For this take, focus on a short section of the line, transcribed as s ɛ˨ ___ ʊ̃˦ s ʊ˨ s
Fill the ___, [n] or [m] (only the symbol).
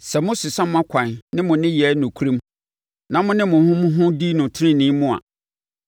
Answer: m